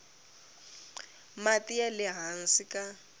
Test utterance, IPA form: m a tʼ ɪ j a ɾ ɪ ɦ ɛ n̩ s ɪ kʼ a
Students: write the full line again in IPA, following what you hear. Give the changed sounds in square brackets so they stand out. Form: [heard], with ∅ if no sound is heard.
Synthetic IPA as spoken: m a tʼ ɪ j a [l] ɪ ɦ [a] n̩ s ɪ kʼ a